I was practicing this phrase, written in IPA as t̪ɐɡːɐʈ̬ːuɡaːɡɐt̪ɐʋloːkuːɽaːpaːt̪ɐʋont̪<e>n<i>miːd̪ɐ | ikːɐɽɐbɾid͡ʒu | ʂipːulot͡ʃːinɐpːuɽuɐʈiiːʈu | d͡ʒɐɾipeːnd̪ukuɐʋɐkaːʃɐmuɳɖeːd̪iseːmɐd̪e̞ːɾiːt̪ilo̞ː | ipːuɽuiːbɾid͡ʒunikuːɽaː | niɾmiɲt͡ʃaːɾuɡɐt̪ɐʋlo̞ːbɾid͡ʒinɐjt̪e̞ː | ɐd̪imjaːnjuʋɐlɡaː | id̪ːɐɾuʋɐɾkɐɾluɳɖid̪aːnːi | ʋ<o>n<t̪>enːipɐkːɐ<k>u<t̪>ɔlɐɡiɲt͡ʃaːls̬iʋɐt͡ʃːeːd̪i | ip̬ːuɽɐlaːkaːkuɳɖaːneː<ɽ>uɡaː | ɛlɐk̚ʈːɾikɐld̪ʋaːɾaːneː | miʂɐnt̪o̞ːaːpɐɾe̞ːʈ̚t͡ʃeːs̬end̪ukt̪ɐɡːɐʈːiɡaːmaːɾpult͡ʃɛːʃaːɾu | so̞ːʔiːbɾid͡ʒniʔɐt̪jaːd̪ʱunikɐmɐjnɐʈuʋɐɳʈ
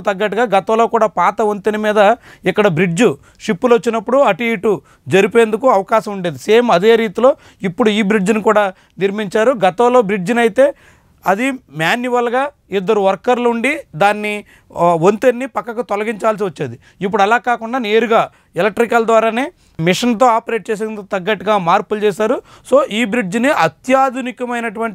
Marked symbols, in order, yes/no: yes, yes, yes, yes, yes, yes, no

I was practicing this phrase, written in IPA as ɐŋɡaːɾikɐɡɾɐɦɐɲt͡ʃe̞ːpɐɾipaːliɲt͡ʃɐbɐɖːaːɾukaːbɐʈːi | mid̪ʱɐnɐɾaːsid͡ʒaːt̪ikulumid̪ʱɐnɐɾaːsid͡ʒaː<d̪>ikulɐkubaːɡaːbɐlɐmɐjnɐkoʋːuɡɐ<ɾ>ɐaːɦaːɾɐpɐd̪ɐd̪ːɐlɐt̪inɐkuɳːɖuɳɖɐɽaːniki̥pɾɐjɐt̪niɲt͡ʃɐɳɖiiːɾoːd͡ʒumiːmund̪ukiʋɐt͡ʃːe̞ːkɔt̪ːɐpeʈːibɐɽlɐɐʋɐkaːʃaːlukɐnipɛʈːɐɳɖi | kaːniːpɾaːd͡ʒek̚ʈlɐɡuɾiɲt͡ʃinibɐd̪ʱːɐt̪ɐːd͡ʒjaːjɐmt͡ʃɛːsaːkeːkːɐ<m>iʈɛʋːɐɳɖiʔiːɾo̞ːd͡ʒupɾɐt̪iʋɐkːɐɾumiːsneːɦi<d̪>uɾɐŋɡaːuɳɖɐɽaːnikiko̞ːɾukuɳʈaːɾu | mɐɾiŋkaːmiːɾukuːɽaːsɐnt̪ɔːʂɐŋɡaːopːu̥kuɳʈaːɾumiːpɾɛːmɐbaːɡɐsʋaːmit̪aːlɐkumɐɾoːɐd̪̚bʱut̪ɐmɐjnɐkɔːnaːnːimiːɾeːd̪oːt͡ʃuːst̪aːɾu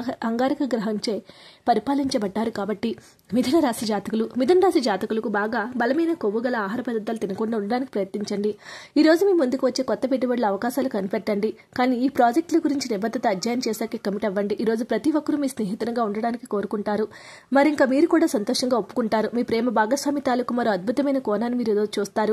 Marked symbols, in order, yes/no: no, no, yes, no

